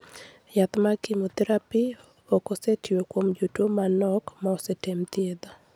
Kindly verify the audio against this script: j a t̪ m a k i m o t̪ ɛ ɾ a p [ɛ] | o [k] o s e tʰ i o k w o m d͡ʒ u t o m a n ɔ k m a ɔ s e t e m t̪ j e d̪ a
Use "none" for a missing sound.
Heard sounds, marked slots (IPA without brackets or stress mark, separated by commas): i, k